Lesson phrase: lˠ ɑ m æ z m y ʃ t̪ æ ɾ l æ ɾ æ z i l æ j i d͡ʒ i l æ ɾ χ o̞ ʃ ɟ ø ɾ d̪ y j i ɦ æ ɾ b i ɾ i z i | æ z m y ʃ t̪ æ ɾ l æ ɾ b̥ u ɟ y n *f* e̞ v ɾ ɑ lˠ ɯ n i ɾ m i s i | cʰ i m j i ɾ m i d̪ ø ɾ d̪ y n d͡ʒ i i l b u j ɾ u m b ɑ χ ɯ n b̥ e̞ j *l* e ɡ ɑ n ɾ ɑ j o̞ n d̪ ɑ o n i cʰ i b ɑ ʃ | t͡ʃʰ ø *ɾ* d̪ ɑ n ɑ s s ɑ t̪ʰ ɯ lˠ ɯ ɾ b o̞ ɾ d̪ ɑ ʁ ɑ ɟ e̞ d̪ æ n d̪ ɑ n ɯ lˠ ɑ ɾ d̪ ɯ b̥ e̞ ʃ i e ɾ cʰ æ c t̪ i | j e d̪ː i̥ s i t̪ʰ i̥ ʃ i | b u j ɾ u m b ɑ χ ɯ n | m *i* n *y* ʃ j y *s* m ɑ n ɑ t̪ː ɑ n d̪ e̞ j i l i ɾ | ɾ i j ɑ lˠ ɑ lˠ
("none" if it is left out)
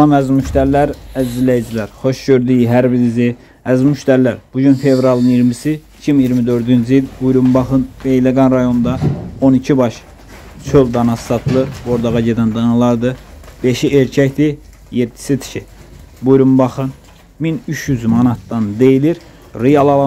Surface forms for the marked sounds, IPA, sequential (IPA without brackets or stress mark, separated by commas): f, l, l, i, y, z